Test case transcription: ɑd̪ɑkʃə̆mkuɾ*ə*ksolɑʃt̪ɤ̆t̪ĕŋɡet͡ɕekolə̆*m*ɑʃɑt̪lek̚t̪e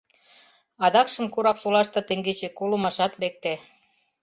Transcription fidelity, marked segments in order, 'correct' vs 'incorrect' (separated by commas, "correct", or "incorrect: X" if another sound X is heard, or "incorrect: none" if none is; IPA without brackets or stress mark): incorrect: ɑ, correct